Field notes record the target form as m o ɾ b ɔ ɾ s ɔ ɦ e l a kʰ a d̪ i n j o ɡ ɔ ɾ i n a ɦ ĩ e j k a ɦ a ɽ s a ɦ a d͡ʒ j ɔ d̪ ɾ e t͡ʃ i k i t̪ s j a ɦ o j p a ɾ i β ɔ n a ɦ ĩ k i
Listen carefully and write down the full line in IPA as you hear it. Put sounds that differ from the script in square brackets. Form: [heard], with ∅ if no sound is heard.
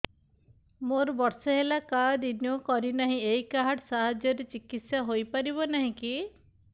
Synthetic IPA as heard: m o ɾ b ɔ ɾ s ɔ ɦ e l a [k] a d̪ i n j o [k] ɔ ɾ i n a ɦ ĩ e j k a ɦ a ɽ s a ɦ a d͡ʒ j ɔ [∅] ɾ e t͡ʃ i k i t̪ s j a ɦ o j p a ɾ i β ɔ n a ɦ ĩ k i

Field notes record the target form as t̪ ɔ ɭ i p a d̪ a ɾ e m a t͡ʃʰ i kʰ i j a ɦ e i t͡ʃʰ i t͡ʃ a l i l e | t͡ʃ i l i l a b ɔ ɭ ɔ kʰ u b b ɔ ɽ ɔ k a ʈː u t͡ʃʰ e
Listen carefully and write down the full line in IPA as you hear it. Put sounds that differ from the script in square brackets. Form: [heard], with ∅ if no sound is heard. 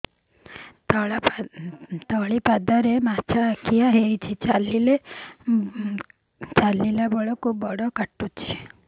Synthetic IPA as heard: t̪ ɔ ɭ i p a d̪ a ɾ e m a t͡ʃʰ [a] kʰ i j a ɦ e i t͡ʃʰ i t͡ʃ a l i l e | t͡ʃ [a] l i l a b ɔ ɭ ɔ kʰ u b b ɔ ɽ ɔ k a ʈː u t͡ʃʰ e

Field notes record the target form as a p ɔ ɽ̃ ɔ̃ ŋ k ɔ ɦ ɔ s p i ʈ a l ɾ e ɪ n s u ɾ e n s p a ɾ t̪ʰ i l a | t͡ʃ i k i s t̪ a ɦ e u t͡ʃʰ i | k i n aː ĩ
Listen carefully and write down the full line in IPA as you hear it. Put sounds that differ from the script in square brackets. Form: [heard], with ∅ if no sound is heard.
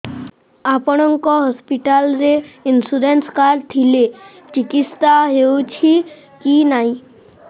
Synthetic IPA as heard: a p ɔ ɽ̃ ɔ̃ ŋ k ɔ ɦ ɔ s p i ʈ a l ɾ e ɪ n s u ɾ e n s [k] a ɾ t̪ʰ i l [e] | t͡ʃ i k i s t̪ a ɦ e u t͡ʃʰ i | k i n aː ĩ

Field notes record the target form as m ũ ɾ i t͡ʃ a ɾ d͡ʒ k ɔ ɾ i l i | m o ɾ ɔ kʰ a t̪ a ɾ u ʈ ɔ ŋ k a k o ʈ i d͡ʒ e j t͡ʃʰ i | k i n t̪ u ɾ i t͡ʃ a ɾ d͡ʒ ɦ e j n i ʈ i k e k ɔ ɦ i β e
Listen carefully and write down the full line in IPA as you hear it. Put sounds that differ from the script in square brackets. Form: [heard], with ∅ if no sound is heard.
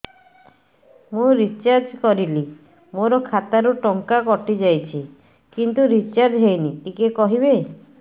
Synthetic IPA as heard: m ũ ɾ i t͡ʃ a ɾ d͡ʒ k ɔ ɾ i l i | m o ɾ ɔ kʰ a t̪ a ɾ u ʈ ɔ ŋ k a k [ɔ] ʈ i d͡ʒ [a] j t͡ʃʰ i | k i n t̪ u ɾ i t͡ʃ a ɾ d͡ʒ ɦ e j n i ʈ i k e k ɔ ɦ i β e

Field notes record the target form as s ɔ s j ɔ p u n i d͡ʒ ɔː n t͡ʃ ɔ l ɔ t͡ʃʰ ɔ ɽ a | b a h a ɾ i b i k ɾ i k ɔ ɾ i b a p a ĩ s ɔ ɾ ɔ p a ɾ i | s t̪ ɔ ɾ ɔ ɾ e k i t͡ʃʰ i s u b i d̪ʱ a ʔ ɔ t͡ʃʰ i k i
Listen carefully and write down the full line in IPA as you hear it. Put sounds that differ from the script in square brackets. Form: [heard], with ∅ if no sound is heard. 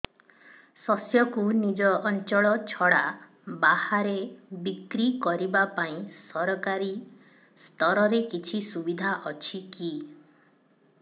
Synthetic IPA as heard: s ɔ s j ɔ [k] u n i d͡ʒ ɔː n t͡ʃ ɔ [ɭ] ɔ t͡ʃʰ ɔ ɽ a | b a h a ɾ [e] b i k ɾ i k ɔ ɾ i b a p a ĩ s ɔ ɾ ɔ [k] a ɾ i | s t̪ ɔ ɾ ɔ ɾ e k i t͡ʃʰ i s u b i d̪ʱ a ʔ ɔ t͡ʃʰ i k i

